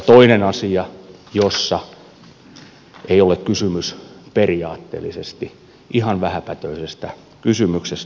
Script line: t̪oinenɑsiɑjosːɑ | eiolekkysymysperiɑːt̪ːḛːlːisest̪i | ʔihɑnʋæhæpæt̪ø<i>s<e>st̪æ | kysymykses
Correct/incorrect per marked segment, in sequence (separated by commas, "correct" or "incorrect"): correct, correct